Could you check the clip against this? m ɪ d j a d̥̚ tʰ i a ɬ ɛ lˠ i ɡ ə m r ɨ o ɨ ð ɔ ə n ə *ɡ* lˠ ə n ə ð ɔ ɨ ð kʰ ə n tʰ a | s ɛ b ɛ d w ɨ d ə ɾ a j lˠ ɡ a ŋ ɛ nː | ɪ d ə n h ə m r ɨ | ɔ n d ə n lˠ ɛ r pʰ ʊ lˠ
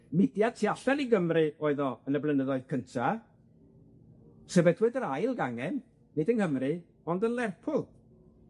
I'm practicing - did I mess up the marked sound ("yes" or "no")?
yes